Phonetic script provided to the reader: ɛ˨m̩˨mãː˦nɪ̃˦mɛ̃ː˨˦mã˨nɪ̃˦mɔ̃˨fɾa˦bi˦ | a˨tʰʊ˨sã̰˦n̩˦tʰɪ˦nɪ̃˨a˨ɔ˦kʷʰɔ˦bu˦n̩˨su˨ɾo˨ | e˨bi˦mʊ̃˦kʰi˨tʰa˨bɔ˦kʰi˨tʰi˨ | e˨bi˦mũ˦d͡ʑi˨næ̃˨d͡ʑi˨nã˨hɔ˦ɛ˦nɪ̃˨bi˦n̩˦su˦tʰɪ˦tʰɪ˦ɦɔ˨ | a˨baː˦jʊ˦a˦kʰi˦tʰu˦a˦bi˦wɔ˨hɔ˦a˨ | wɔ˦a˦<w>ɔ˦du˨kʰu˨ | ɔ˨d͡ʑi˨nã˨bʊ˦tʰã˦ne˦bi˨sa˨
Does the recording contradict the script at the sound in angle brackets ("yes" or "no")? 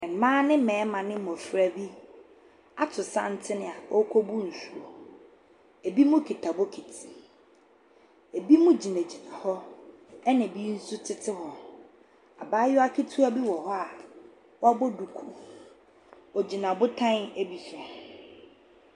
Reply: yes